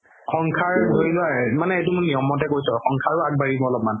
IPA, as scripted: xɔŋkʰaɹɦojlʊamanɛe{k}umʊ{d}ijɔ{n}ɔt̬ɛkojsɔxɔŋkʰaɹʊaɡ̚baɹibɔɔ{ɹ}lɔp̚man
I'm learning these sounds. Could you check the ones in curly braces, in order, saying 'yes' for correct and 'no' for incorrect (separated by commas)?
no, no, no, no